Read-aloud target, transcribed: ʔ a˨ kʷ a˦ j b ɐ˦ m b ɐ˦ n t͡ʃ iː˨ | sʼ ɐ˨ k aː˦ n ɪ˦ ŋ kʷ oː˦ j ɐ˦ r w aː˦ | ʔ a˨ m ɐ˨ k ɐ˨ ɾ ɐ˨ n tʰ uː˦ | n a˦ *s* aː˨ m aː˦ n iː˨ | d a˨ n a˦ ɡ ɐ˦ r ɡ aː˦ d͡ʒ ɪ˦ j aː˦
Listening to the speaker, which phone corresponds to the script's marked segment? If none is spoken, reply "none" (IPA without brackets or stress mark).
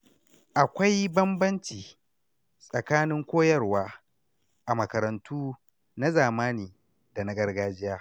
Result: z